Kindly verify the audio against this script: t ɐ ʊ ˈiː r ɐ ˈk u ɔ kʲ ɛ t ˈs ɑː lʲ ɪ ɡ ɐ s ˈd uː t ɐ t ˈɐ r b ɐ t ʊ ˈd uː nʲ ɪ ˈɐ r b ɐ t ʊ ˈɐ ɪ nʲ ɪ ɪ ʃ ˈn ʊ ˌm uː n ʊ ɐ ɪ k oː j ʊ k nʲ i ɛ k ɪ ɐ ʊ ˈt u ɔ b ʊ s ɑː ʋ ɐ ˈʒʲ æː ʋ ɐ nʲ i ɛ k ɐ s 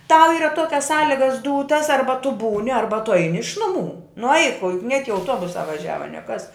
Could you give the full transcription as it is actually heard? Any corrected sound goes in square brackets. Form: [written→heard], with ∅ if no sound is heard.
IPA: t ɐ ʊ ˈiː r ɐ [ˈk→ˈt] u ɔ kʲ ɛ [t→s] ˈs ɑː lʲ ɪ ɡ ɐ s ˈd uː t ɐ [t→s] ˈɐ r b ɐ t ʊ [ˈd→ˈb] uː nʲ ɪ ˈɐ r b ɐ t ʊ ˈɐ ɪ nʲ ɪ ɪ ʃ ˈn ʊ ˌm uː n ʊ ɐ ɪ k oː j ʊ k nʲ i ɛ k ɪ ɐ ʊ ˈt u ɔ b ʊ s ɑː ʋ ɐ ˈʒʲ æː ʋ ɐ nʲ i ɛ k ɐ s

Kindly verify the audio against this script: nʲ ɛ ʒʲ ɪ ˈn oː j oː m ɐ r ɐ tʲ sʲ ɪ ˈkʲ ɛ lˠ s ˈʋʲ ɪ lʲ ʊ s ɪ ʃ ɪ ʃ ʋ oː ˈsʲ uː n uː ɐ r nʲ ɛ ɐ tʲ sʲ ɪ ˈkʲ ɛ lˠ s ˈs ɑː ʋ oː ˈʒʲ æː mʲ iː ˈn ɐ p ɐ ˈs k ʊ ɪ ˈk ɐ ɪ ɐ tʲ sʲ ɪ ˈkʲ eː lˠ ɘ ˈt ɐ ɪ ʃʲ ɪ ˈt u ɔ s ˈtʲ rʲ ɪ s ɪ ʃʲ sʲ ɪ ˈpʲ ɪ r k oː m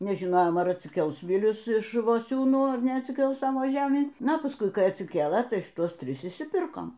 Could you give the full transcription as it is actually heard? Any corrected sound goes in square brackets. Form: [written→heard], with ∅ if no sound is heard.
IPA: nʲ ɛ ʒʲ ɪ ˈn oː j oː m ɐ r ɐ tʲ sʲ ɪ ˈkʲ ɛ lˠ s ˈʋʲ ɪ lʲ ʊ s ɪ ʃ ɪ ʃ ʋ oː ˈsʲ uː n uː ɐ r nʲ ɛ ɐ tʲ sʲ ɪ ˈkʲ ɛ lˠ s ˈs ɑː ʋ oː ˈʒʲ æː mʲ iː ˈn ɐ p ɐ ˈs k ʊ ɪ ˈk ɐ ɪ ɐ tʲ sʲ ɪ ˈkʲ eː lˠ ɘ ˈt ɐ ɪ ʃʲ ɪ ˈt u ɔ s ˈtʲ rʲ ɪ s ɪ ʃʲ sʲ ɪ ˈpʲ ɪ r k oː m

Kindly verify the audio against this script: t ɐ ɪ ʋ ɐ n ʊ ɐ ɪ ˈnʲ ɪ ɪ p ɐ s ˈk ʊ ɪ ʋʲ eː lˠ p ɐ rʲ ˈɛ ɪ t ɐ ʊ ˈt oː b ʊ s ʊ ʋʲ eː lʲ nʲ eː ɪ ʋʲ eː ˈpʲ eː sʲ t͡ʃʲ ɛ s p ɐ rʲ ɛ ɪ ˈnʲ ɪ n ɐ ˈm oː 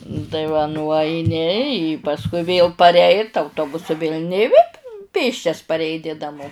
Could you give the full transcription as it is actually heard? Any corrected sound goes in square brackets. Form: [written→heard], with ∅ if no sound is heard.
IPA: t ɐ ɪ ʋ ɐ n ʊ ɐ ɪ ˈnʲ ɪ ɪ p ɐ s ˈk ʊ ɪ ʋʲ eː lˠ p ɐ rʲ ˈɛ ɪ t ɐ ʊ ˈt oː b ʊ s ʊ ʋʲ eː lʲ nʲ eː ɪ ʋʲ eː ˈpʲ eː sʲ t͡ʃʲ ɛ s p ɐ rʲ ɛ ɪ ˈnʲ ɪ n ɐ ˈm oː

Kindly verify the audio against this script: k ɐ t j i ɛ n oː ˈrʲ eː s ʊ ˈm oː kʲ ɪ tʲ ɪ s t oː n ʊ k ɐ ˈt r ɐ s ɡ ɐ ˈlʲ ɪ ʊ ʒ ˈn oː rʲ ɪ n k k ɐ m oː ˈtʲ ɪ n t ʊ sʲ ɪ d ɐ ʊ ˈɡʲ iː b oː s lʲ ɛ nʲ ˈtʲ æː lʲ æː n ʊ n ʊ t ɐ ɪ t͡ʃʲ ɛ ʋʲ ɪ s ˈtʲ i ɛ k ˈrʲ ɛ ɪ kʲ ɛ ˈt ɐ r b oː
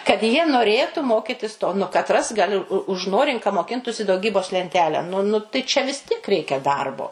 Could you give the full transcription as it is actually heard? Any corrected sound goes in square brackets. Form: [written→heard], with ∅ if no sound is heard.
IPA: k ɐ t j i ɛ n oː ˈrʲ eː [s→t] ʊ ˈm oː kʲ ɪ tʲ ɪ s t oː n ʊ k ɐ ˈt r ɐ s ɡ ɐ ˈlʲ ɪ ʊ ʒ ˈn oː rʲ ɪ [n→ŋ] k k ɐ m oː [ˈtʲ→ˈkʲ] ɪ n t ʊ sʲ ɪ d ɐ ʊ ˈɡʲ iː b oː s lʲ ɛ nʲ ˈtʲ æː lʲ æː n ʊ n ʊ t ɐ ɪ t͡ʃʲ ɛ ʋʲ ɪ s ˈtʲ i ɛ k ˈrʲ ɛ ɪ kʲ ɛ [ˈt→ˈd] ɐ r b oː

